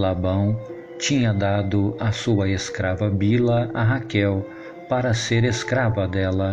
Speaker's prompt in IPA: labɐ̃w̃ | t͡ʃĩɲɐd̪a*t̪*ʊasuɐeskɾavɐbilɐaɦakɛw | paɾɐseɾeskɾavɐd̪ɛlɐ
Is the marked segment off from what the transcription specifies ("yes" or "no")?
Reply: yes